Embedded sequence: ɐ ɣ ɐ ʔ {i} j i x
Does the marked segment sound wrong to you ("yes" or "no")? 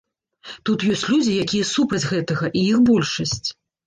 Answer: no